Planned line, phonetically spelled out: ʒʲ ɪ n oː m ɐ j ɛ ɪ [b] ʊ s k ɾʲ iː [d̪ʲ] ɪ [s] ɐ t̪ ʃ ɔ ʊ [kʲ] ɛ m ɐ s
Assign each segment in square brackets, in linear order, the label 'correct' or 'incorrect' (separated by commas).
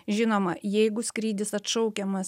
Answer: incorrect, correct, correct, correct